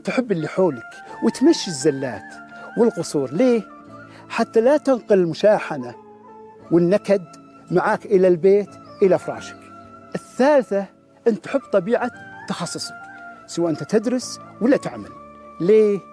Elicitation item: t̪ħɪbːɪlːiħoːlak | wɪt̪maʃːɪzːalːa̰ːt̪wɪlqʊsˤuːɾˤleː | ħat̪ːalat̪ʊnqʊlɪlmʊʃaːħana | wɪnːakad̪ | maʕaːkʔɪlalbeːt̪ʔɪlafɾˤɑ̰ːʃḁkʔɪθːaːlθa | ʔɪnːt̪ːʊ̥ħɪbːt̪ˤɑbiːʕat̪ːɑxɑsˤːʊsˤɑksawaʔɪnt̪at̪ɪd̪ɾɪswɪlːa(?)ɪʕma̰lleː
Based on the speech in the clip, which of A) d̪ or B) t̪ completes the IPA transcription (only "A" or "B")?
B